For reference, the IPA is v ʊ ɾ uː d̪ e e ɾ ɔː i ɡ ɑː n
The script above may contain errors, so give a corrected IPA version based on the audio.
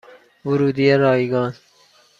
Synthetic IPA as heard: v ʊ ɾ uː d̪ i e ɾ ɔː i ɡ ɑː n

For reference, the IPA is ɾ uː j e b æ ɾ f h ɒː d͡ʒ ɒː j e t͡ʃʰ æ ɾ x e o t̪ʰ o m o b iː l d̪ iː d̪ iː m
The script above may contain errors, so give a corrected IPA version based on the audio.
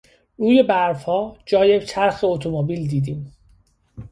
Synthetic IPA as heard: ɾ uː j e b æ ɾ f h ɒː d͡ʒ ɒː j e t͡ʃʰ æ ɾ x e o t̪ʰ o m o b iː l d̪ iː d̪ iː m

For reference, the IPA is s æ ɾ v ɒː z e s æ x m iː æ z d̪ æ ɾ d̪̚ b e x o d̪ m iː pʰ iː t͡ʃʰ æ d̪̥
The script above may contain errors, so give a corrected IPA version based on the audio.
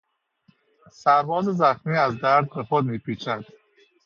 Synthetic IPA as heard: s æ ɾ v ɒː z e z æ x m iː æ z d̪ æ ɾ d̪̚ b e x o d̪ m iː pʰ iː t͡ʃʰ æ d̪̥

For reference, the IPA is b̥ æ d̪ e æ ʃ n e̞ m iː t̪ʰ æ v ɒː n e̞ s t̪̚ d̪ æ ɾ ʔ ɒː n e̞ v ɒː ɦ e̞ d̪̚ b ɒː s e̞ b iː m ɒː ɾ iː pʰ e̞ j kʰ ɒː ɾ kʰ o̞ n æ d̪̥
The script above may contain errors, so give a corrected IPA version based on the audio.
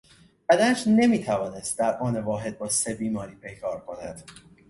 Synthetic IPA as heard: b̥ æ d̪ æ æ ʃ n e̞ m iː t̪ʰ æ v ɒː n e̞ s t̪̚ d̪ æ ɾ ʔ ɒː n e̞ v ɒː ɦ e̞ d̪̚ b ɒː s e̞ b iː m ɒː ɾ iː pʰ e̞ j kʰ ɒː ɾ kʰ o̞ n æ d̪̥

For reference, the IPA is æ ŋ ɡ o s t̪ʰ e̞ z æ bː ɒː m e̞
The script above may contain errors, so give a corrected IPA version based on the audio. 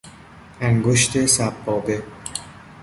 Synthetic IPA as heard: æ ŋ ɡ o ʃ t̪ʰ e̞ s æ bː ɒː b e̞

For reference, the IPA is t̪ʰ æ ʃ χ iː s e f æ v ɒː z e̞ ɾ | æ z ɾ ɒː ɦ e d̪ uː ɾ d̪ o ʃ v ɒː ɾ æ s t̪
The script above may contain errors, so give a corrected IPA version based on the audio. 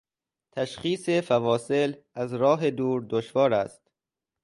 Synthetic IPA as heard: t̪ʰ æ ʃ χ iː s e f æ v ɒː s e̞ l | æ z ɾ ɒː ɦ e d̪ uː ɾ d̪ o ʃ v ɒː ɾ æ s t̪

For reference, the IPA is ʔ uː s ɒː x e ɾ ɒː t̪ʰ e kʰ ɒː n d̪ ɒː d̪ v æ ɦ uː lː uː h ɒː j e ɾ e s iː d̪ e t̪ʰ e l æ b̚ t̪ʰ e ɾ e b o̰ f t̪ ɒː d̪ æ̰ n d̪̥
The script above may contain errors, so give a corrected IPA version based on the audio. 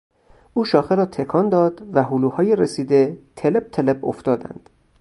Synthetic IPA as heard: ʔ uː ʃ ɒː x e ɾ ɒː t̪ʰ e kʰ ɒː n d̪ ɒː d̪ v æ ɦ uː l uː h ɒː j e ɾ e s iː d̪ e t̪ʰ e l e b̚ t̪ʰ e l e b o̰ f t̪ ɒː d̪ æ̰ n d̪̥

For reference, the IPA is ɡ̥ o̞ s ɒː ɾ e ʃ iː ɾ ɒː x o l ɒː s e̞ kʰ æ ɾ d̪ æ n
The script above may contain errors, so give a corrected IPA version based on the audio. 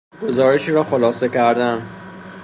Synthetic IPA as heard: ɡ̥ o̞ z ɒː ɾ e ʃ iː ɾ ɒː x o l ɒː s e̞ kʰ æ ɾ d̪ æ n

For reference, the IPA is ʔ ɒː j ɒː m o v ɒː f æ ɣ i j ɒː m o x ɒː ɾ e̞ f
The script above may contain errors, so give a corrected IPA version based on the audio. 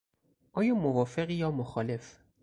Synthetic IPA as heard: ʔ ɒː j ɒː m o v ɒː f e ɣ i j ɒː m o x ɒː l e̞ f

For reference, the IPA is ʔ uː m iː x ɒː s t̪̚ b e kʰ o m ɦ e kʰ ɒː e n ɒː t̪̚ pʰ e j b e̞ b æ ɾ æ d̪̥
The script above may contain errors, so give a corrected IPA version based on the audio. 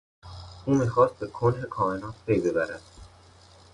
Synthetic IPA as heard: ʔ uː m iː x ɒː s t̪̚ b e kʰ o n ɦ e kʰ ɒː e n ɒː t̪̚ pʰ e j b e̞ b æ ɾ æ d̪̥

